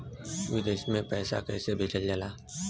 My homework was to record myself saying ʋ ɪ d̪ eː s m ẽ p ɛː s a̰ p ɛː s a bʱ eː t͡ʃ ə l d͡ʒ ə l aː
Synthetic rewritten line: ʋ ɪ d̪ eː ʃ m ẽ p ɛː s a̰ k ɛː s e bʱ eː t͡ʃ ə l d͡ʒ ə l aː